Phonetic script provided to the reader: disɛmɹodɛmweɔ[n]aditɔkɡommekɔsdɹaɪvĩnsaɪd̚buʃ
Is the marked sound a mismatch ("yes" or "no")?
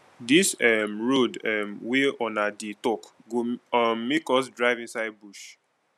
no